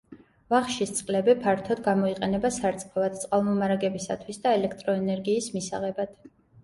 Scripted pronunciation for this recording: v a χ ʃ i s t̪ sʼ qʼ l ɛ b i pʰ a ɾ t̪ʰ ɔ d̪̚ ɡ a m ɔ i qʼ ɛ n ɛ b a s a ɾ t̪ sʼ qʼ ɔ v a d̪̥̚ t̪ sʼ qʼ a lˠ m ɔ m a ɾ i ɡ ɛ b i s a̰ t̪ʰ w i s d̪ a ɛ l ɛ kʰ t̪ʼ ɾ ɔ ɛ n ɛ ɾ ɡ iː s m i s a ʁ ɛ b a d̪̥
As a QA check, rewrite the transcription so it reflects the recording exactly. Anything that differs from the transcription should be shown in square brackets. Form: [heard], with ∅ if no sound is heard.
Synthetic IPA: v a χ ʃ i s t̪ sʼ qʼ l ɛ b i pʰ a ɾ t̪ʰ ɔ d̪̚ ɡ a m ɔ i qʼ ɛ n ɛ b a s a ɾ t̪ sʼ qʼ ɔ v a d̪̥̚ t̪ sʼ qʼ a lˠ m ɔ m a ɾ [a] ɡ ɛ b i s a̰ t̪ʰ w i s d̪ a ɛ l ɛ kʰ t̪ʼ ɾ ɔ ɛ n ɛ ɾ ɡ iː s m i s a ʁ ɛ b a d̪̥